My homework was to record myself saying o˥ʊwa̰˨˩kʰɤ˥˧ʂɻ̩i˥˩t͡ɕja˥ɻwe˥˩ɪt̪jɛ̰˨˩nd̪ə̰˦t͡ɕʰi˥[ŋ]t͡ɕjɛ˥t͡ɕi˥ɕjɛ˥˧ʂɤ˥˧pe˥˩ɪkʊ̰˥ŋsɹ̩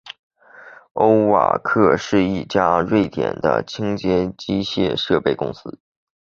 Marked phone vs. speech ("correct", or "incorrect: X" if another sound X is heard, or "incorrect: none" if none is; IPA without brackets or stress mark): correct